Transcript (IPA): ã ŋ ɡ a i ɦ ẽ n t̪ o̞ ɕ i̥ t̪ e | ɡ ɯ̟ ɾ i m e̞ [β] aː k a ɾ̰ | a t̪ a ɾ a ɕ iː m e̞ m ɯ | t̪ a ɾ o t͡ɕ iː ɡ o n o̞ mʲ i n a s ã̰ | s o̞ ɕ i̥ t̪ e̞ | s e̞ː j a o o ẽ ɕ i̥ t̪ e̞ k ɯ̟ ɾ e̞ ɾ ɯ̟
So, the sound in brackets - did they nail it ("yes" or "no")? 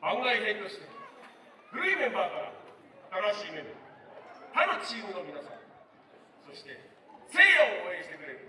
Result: no